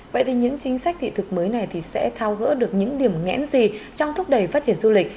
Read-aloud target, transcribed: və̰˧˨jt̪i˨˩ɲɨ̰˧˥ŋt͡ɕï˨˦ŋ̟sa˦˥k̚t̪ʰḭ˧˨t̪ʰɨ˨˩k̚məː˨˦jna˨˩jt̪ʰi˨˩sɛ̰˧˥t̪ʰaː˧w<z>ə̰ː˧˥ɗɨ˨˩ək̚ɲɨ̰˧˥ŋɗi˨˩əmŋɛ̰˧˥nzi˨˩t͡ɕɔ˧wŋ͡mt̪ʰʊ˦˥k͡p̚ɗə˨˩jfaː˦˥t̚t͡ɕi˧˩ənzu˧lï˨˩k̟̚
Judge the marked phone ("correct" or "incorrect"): incorrect